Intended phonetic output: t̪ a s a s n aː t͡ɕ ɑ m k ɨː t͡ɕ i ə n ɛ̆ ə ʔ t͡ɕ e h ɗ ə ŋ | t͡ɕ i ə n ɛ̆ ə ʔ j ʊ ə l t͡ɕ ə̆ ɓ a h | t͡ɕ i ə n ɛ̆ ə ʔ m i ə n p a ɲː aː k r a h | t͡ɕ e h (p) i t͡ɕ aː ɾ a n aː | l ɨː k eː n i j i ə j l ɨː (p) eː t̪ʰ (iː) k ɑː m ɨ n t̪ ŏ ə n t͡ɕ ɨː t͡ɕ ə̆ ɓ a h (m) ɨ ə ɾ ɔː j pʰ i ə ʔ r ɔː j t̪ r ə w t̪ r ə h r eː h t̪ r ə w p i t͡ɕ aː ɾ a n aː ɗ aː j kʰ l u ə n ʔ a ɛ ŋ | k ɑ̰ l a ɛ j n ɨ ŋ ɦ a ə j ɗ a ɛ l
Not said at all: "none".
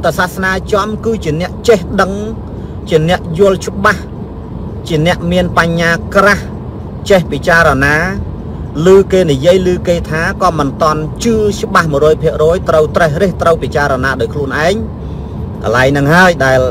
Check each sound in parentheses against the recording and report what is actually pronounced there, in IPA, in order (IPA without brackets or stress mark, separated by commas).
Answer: p, k, aː, m